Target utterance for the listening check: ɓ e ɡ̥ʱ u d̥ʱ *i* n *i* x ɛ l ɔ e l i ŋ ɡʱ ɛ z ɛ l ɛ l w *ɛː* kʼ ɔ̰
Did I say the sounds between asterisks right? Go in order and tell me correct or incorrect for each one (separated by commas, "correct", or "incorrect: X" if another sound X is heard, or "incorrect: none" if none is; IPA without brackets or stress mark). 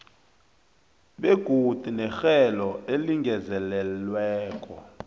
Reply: correct, incorrect: ɛ, correct